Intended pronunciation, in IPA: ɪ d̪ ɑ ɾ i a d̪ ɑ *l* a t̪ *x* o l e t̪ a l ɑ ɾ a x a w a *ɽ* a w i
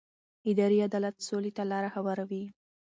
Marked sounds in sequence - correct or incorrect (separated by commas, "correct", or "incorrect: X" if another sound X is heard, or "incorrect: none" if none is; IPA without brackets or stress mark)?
correct, incorrect: s, incorrect: ɾ